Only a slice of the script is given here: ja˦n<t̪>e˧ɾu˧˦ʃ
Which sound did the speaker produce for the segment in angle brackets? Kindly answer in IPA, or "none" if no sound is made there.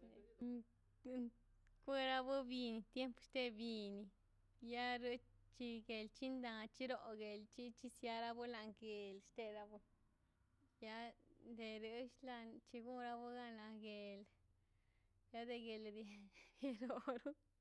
d̪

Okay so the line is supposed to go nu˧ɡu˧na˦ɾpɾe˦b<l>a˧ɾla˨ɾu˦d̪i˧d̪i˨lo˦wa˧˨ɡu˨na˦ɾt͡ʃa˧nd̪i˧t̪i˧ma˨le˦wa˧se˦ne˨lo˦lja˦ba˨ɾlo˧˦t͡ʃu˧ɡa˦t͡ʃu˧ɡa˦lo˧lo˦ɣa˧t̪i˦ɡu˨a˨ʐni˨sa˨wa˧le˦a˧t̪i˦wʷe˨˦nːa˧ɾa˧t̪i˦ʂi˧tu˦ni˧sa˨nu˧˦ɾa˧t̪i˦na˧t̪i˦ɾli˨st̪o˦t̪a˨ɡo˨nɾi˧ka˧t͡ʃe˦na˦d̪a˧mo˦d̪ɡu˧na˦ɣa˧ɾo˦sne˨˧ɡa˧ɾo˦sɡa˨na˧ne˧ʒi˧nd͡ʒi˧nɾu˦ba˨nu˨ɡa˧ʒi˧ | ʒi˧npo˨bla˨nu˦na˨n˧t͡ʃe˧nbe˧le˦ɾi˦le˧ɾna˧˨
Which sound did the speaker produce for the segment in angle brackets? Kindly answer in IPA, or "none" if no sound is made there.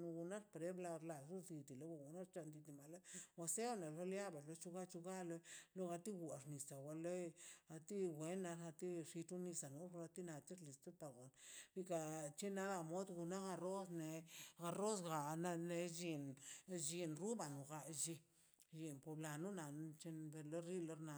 l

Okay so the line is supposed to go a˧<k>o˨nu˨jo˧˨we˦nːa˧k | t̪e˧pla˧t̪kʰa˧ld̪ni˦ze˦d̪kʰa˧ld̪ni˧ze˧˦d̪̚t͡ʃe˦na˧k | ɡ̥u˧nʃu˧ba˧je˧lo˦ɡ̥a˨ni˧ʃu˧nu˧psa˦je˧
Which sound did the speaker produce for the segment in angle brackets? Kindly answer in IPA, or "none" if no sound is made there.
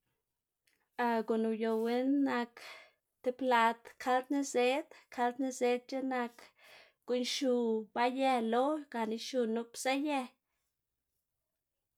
ɡ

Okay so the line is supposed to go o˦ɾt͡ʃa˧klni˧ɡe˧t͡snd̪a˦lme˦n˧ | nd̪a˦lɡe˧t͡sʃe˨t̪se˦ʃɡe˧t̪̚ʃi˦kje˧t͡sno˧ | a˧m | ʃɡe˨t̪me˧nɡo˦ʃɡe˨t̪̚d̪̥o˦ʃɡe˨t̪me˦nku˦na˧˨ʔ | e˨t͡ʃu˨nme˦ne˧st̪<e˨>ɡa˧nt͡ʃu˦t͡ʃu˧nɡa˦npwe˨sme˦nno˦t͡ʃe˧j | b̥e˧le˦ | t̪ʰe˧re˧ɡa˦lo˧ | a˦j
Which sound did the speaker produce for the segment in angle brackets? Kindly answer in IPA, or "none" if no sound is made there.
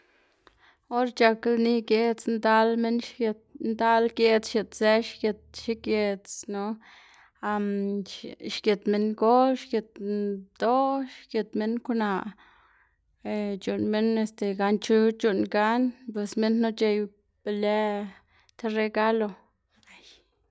e˨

